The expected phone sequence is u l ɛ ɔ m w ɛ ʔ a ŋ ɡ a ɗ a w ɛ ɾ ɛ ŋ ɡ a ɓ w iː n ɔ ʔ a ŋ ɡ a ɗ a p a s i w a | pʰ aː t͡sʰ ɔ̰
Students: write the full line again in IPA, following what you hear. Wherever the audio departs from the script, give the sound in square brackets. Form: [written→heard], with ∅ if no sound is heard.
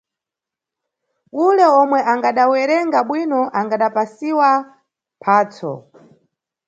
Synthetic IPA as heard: u l ɛ ɔ m w ɛ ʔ a ŋ ɡ a ɗ a w ɛ ɾ ɛ ŋ ɡ a ɓ w [iː→i] n ɔ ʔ a ŋ ɡ a ɗ a p a s i w a | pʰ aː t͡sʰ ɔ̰